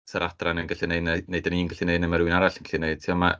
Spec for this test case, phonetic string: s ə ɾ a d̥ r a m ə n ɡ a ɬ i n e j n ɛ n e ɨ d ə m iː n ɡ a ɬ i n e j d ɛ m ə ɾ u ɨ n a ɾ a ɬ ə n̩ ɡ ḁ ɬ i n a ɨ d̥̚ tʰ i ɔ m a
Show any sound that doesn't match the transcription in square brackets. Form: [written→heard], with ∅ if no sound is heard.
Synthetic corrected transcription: s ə ɾ a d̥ r a [m→n] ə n ɡ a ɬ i n e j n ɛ n e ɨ d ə [m→n] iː n ɡ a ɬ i n e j [d→n] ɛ m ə ɾ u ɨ n a ɾ a ɬ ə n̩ ɡ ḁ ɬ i n [a→e] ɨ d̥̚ tʰ i ɔ m a